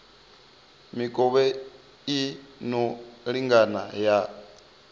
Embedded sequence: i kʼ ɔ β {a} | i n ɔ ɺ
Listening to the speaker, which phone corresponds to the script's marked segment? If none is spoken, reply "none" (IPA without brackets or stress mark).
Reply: ɛ